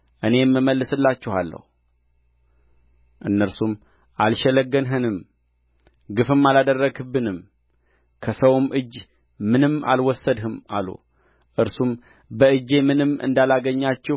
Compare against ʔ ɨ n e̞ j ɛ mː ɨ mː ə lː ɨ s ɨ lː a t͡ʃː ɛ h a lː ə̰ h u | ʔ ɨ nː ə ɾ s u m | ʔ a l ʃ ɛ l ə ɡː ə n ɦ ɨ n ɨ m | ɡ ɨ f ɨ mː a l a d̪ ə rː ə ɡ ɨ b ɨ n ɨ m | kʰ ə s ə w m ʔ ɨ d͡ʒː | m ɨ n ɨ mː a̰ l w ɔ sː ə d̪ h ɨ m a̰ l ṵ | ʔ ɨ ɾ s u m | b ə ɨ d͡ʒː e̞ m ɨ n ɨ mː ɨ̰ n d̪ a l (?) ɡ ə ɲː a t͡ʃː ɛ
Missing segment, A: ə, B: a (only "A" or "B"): B